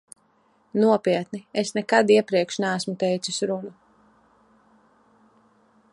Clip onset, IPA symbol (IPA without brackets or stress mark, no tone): n